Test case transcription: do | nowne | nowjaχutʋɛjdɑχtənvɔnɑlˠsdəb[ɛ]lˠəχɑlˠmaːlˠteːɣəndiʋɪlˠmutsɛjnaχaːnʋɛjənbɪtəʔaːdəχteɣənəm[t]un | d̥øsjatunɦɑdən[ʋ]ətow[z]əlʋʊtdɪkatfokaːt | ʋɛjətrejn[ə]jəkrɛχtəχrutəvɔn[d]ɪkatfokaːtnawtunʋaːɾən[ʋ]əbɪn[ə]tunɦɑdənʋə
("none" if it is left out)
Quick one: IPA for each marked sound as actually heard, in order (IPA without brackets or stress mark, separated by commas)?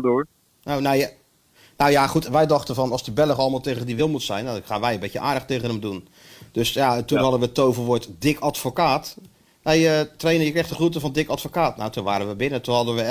ɛ, d, ʋ, v, ə, d, ʋ, ə